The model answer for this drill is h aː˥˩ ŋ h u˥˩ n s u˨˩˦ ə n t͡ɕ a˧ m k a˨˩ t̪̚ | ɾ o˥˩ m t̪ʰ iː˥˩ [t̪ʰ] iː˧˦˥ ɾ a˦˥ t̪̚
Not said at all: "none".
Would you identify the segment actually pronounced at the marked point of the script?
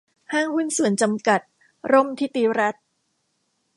t̪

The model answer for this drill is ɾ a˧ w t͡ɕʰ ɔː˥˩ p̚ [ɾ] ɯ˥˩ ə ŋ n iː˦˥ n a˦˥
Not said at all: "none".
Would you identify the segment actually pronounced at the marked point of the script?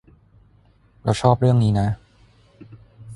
ɾ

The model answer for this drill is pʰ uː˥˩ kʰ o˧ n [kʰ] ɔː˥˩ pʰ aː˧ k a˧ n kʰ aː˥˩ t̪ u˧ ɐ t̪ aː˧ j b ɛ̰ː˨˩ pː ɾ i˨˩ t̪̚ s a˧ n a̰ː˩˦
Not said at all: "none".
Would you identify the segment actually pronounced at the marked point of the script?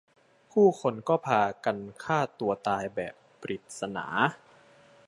k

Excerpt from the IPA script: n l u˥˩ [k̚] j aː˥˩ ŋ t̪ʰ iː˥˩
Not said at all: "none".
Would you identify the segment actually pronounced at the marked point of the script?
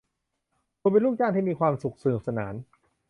k̚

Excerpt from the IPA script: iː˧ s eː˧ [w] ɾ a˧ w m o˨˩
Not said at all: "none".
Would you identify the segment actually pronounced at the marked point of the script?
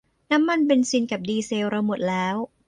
w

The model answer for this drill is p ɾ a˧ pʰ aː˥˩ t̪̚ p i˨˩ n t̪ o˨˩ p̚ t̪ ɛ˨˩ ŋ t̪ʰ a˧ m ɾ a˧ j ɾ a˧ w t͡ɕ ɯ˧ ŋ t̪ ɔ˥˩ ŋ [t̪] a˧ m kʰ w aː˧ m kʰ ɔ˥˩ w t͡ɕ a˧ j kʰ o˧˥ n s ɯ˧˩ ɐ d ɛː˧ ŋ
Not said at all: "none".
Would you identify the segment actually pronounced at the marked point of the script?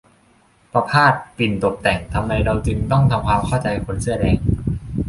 t̪ʰ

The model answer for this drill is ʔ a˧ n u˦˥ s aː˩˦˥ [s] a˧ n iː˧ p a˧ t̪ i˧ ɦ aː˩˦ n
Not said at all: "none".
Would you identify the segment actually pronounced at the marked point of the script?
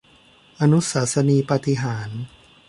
s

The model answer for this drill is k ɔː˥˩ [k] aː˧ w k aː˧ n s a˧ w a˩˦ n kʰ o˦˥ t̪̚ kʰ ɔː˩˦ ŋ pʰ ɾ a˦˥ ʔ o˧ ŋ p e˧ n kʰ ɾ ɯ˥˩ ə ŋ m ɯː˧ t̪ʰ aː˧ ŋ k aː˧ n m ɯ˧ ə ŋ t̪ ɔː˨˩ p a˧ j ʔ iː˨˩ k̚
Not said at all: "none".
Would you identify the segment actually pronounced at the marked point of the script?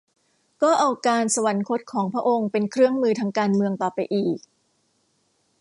ʔ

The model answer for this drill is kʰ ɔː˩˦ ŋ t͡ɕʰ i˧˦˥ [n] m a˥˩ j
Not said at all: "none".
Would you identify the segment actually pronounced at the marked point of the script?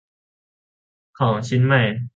n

